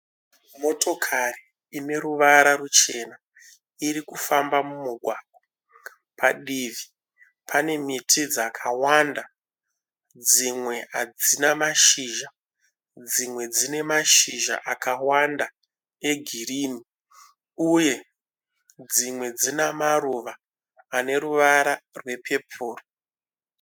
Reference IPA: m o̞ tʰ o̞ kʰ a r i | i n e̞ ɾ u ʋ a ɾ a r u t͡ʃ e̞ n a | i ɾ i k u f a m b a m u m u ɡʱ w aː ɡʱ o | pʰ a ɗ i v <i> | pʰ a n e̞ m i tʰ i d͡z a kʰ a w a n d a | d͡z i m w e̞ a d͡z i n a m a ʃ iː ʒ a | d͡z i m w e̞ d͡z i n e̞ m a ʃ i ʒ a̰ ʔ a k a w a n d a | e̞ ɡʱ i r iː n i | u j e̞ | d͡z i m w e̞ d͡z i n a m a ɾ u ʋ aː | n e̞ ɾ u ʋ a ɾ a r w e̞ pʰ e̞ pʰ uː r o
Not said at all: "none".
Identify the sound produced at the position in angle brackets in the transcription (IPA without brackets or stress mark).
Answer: i